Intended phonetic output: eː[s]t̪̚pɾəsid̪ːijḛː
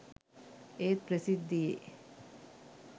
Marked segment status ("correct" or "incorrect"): incorrect